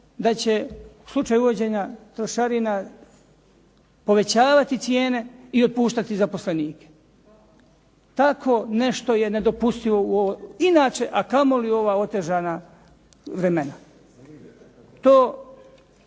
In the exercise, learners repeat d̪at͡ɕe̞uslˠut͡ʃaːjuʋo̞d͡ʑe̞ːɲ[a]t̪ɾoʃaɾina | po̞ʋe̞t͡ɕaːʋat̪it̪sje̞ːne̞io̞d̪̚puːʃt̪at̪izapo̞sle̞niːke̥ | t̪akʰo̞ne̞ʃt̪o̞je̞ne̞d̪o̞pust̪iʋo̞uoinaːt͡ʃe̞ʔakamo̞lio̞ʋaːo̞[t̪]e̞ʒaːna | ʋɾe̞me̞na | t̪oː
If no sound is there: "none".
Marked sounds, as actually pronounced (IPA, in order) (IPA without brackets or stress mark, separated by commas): a, t̪